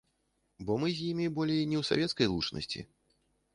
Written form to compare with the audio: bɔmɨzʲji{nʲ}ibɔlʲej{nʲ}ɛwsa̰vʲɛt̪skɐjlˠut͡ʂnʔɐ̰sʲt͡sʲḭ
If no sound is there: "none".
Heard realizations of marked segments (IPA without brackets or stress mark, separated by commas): mʲ, nʲ